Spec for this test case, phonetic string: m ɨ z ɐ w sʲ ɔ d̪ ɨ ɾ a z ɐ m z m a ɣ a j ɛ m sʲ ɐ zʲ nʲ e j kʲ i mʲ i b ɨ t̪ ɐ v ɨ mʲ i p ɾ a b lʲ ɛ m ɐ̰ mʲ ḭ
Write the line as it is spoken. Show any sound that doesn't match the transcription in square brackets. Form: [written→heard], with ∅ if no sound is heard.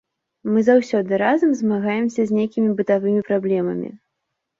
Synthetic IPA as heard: m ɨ z [ɐ→a] w sʲ ɔ d̪ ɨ ɾ a z ɐ m z m a ɣ a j ɛ m sʲ ɐ zʲ nʲ e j kʲ i mʲ i b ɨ t̪ [ɐ→a] v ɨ mʲ i p ɾ a b lʲ ɛ m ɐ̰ mʲ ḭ

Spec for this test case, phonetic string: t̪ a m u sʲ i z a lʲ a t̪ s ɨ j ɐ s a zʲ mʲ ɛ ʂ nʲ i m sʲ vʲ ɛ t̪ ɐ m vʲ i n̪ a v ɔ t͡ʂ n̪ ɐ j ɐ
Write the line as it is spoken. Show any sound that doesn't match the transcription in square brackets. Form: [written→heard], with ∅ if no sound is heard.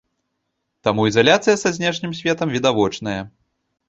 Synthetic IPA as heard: t̪ a m u [sʲ→∅] i z a lʲ a t̪ s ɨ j ɐ s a zʲ [mʲ→nʲ] ɛ ʂ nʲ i m sʲ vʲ ɛ t̪ ɐ m vʲ i [n̪→d̪] a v ɔ t͡ʂ n̪ ɐ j ɐ

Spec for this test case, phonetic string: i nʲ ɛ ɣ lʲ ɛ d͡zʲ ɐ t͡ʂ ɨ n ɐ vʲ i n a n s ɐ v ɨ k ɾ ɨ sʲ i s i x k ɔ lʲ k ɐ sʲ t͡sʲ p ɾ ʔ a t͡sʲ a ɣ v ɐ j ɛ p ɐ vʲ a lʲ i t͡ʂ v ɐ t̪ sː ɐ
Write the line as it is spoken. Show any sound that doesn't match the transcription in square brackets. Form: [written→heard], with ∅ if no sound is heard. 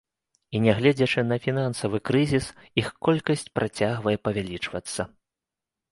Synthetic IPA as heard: i nʲ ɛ ɣ lʲ ɛ d͡zʲ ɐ t͡ʂ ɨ n ɐ [vʲ→fʲ] i n a n s ɐ v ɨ k ɾ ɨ [sʲ→zʲ] i s i x k ɔ lʲ k ɐ sʲ t͡sʲ p ɾ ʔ a t͡sʲ a ɣ v ɐ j ɛ p ɐ vʲ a lʲ i t͡ʂ v ɐ t̪ sː ɐ

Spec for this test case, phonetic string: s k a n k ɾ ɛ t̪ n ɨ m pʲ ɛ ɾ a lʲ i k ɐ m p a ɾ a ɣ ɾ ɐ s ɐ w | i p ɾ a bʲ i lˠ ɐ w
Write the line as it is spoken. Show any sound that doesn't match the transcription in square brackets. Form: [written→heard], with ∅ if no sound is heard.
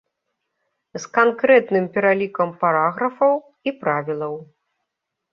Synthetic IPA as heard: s k a n k ɾ ɛ t̪ n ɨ m pʲ ɛ ɾ a lʲ i k ɐ m p a ɾ a ɣ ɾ ɐ [s→f] ɐ w | i p ɾ a [bʲ→vʲ] i lˠ ɐ w

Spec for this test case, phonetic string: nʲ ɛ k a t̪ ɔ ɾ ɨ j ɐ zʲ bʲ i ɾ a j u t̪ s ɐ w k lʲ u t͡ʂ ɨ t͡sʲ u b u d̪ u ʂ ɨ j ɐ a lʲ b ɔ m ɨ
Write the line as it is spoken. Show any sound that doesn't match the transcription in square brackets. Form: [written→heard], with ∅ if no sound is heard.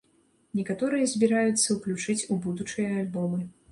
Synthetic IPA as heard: nʲ ɛ k a t̪ ɔ ɾ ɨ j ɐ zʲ bʲ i ɾ a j u t̪ [s→sː] ɐ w k lʲ u t͡ʂ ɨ t͡sʲ u b u d̪ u [ʂ→t͡ʂ] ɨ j ɐ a lʲ b ɔ m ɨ

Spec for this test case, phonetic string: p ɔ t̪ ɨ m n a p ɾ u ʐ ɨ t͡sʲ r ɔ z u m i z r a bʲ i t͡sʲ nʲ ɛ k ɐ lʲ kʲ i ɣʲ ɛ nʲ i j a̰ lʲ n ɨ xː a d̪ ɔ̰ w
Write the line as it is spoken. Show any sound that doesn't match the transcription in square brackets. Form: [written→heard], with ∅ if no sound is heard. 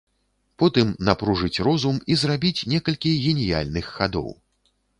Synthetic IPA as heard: p ɔ t̪ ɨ m n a p ɾ u ʐ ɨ t͡sʲ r ɔ z u m i z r a bʲ i t͡sʲ nʲ ɛ k ɐ lʲ kʲ i ɣʲ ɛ nʲ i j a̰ lʲ n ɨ xː a d̪ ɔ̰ w

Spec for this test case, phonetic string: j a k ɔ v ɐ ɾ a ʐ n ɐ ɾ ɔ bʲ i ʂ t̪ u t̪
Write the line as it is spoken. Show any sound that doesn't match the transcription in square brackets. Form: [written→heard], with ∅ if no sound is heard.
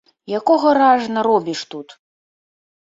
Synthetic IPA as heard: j a k ɔ [v→ɣ] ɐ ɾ a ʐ n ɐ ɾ ɔ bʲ i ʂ t̪ u t̪

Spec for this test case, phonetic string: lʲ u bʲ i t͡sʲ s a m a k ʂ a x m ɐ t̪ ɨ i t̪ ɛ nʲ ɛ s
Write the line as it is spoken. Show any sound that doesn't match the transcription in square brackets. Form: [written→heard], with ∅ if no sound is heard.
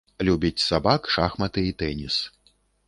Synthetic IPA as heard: lʲ u bʲ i t͡sʲ s a [m→b] a k ʂ a x m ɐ t̪ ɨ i t̪ ɛ nʲ [ɛ→i] s

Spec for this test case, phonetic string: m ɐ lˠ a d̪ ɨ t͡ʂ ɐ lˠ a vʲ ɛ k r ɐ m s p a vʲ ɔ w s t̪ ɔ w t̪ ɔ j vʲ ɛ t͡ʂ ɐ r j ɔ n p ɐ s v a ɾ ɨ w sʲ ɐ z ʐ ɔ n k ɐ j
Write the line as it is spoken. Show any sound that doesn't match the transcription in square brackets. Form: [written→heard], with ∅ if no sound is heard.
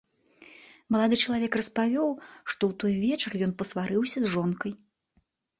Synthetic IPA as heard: m ɐ lˠ a d̪ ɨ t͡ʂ ɐ lˠ a vʲ ɛ k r ɐ [m→∅] s p a vʲ ɔ w [s→ʂ] t̪ ɔ w t̪ ɔ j vʲ ɛ t͡ʂ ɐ r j ɔ n p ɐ s v a ɾ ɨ w sʲ ɐ z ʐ ɔ n k ɐ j

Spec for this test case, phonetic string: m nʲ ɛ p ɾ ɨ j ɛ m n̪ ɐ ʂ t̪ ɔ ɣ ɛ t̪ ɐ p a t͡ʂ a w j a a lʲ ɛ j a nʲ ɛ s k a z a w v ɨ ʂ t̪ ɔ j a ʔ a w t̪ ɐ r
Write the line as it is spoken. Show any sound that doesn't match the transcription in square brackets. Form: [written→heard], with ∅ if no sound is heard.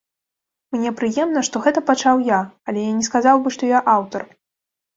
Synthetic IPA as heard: m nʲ ɛ p ɾ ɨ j ɛ m n̪ ɐ ʂ t̪ ɔ ɣ ɛ t̪ ɐ p a t͡ʂ a w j a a lʲ ɛ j a nʲ ɛ s k a z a w [v→b] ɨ ʂ t̪ ɔ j a ʔ a w t̪ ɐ r

